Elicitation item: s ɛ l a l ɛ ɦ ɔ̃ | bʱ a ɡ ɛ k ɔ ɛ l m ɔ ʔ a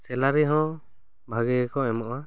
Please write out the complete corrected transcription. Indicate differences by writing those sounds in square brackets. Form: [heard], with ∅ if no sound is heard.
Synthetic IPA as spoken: s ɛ l a [ɾ] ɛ ɦ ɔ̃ | bʱ a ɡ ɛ k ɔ ɛ [∅] m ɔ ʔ a